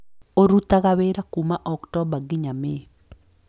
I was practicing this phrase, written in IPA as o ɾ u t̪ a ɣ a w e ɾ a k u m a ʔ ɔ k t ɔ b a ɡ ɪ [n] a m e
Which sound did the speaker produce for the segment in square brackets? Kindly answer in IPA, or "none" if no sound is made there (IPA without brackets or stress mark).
ɲ